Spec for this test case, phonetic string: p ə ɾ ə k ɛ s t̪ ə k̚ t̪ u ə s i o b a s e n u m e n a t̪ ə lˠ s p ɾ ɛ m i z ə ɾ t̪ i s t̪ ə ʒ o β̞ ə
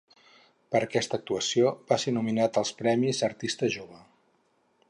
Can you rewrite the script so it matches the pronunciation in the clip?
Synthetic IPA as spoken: p ə ɾ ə k ɛ s t̪ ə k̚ t̪ u ə s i o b a s e n u m i n a t̪ ə lˠ s p ɾ ɛ m i z ə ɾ t̪ i s t̪ ə ʒ o β̞ ə